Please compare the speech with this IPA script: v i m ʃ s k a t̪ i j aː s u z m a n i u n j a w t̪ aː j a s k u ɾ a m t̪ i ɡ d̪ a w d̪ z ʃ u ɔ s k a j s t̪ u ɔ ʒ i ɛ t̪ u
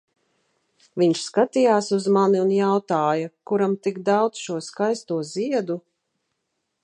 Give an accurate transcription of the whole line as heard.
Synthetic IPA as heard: v i ɲ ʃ s k a t̪ i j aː s u z m a n i u n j a w t̪ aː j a k u ɾ a m t̪ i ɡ d̪ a w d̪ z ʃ u ɔ s k a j s t̪ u ɔ z i ɛ d̪ u